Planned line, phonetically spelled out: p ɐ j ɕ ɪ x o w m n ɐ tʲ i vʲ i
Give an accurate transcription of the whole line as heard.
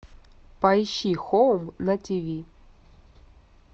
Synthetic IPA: p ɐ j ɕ i x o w m n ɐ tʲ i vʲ i